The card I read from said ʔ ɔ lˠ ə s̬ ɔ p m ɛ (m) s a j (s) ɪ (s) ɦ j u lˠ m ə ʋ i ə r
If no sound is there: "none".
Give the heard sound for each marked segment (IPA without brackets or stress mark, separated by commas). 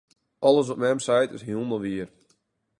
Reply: m, t, s